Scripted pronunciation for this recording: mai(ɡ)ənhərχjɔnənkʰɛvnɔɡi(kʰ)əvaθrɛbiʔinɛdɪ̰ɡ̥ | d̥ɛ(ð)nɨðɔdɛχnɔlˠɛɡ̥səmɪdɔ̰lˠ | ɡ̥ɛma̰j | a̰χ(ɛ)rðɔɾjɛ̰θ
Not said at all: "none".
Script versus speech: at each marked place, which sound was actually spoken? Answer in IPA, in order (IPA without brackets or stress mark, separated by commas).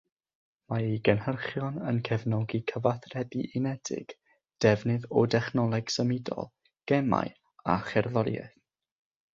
ɡ, kʰ, v, ɛ